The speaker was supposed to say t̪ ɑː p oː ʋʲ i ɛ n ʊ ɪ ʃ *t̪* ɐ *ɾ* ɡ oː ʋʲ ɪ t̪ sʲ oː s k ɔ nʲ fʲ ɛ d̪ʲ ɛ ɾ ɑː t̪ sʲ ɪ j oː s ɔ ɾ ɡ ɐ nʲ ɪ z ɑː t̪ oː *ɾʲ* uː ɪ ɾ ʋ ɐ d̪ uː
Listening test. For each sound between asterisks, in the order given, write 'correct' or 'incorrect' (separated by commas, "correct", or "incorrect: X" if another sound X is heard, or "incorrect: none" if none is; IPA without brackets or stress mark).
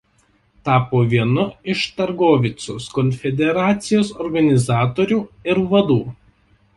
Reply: correct, correct, correct